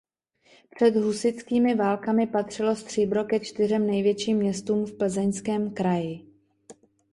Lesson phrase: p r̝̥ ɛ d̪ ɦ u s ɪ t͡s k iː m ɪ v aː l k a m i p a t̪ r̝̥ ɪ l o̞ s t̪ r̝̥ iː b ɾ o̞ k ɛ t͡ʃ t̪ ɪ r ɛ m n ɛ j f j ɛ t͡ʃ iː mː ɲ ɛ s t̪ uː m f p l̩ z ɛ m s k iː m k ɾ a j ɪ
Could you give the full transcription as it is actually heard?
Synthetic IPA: p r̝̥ ɛ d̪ ɦ u s ɪ t͡s k iː m ɪ v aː l k a m ɪ p a t̪ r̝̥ ɪ l o̞ s t̪ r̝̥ iː b ɾ o̞ k ɛ t͡ʃ t̪ ɪ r ɛ m n ɛ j v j ɛ t͡ʃ iː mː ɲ ɛ s t̪ uː m f p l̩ z ɛ ɲ s k ɛː m k ɾ a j ɪ